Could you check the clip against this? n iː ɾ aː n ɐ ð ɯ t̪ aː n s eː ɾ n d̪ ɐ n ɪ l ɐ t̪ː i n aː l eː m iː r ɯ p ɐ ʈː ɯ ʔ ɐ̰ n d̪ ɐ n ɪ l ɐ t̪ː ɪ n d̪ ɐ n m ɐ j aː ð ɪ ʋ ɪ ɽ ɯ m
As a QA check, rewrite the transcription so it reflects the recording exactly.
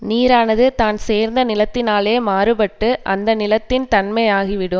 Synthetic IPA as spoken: n iː ɾ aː n ɐ ð ɯ t̪ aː n s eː ɾ n d̪ ɐ n ɪ l ɐ t̪ː ɪ n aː l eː m aː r ɯ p ɐ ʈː ɯ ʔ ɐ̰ n d̪ ɐ n ɪ l ɐ t̪ː ɪ n t̪ ɐ n m ɐ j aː ɣ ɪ ʋ ɪ ɽ ɯ m